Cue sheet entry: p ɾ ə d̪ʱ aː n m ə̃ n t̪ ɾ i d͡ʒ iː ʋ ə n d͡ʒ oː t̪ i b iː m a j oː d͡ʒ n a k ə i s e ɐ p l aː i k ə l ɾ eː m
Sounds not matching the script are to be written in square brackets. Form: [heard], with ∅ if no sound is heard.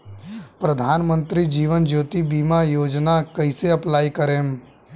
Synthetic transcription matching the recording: p ɾ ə d̪ʱ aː n m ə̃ n t̪ ɾ i d͡ʒ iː ʋ ə n d͡ʒ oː t̪ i b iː m a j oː d͡ʒ n a k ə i s e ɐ p l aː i k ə [∅] ɾ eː m

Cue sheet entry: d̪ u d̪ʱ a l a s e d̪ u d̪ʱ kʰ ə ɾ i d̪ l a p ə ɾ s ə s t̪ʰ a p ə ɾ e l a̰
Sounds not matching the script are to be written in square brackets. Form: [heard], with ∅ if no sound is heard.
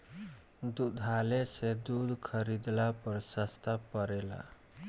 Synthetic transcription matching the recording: d̪ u d̪ʱ a l [e] s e d̪ u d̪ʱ kʰ ə ɾ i d̪ l a p ə ɾ s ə s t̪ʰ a p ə ɾ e l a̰

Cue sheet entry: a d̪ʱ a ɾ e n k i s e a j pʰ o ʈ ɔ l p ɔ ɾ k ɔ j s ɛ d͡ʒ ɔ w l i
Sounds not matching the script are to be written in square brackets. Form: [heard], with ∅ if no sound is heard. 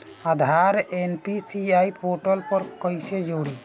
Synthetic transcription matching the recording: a d̪ʱ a ɾ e n [p] i s [i] a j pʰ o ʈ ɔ l p ɔ ɾ k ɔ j s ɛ d͡ʒ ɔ w [ɽ] i

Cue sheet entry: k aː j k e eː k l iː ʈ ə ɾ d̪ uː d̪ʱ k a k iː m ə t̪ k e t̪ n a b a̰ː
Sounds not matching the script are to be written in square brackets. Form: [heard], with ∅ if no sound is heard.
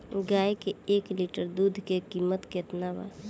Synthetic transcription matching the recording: [ɡ] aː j k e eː k l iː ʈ ə ɾ d̪ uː d̪ʱ k [e] k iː m ə t̪ k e t̪ n a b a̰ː

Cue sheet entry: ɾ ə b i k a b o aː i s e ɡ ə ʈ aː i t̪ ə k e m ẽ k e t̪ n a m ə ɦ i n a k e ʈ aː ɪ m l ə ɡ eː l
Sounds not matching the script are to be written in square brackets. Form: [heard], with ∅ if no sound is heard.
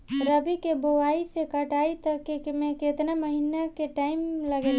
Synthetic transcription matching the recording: ɾ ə b i k [e] b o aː i s e [k] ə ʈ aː i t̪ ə k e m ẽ k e t̪ n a m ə ɦ i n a k e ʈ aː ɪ m l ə ɡ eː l

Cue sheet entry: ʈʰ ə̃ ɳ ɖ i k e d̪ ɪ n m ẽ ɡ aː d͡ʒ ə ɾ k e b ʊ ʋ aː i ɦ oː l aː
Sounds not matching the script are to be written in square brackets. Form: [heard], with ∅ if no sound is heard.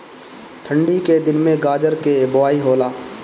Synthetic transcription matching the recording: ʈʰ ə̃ ɳ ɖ i k e d̪ ɪ n m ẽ ɡ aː d͡ʒ ə ɾ k e b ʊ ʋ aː i ɦ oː l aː

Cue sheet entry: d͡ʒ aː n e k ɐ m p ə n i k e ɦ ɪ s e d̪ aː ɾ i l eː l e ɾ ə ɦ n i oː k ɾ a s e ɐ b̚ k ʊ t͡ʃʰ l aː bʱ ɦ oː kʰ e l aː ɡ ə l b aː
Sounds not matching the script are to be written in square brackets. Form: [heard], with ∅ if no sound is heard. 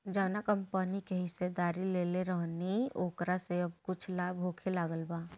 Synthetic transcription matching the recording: d͡ʒ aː n [a] k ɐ m p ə n i k e ɦ ɪ s e d̪ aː ɾ i l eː l e ɾ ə ɦ n i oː k ɾ a s e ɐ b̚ k ʊ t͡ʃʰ l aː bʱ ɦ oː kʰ e l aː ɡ ə l b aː

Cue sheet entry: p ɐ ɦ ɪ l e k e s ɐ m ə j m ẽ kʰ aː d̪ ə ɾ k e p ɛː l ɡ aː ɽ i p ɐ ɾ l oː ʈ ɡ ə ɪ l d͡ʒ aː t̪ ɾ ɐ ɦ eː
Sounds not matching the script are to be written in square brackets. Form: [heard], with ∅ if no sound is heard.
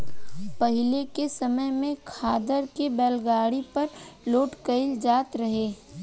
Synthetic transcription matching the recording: p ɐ ɦ ɪ l e k e s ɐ m ə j m ẽ kʰ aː d̪ ə ɾ k e [b] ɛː l ɡ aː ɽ i p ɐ ɾ l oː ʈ [k] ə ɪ l d͡ʒ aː t̪ ɾ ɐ ɦ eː

